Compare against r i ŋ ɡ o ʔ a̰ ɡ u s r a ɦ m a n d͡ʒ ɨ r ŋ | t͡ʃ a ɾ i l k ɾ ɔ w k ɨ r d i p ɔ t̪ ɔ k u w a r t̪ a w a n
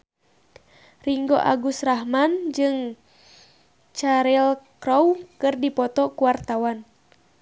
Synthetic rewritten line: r i ŋ ɡ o ʔ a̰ ɡ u s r a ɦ m a n d͡ʒ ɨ ŋ | t͡ʃ a ɾ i l k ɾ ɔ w k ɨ r d i p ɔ t̪ ɔ k u w a r t̪ a w a n